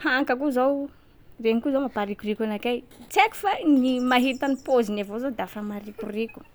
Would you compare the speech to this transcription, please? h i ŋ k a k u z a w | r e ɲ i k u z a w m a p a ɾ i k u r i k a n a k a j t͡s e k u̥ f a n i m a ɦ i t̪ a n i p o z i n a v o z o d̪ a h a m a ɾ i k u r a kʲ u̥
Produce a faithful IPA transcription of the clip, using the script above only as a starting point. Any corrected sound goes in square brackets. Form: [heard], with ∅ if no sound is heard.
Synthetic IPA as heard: h [a] ŋ k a k u z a w | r e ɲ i k u z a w m a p a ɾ i k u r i k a n a k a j t͡s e k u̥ f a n i m a ɦ i t̪ a n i p o z i n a v o z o d̪ a [f] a m a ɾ i k u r [i] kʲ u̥